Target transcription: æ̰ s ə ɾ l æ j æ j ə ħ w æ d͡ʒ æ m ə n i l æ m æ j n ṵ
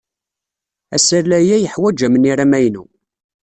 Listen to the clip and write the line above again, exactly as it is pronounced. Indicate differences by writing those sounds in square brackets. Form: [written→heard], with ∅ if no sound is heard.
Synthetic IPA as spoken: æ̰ s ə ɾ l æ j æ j ə ħ w æ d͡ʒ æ m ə n i [l→ɾ] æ m æ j n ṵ